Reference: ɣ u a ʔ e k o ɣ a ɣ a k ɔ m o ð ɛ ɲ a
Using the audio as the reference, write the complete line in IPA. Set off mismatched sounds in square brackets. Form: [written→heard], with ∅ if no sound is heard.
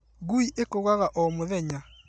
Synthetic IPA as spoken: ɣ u [a→i] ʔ e k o ɣ a ɣ a [k→ʔ] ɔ m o ð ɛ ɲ a